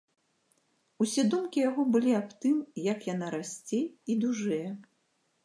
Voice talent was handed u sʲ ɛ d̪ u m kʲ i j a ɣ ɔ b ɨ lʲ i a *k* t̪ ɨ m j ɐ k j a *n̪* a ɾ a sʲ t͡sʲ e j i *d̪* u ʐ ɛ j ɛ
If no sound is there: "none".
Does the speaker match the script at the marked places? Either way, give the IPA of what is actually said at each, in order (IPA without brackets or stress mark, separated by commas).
p, n̪, d̪